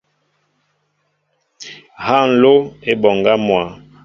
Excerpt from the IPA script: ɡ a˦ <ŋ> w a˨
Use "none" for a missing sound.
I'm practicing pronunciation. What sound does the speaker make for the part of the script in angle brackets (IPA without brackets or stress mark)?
m